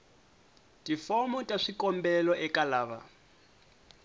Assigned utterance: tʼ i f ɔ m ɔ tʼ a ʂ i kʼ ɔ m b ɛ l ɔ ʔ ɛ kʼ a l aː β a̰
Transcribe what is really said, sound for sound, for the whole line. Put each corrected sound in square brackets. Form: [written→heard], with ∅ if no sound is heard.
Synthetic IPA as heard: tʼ i f ɔ m ɔ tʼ a ʂ i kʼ ɔ m b ɛ l ɔ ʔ ɛ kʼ a l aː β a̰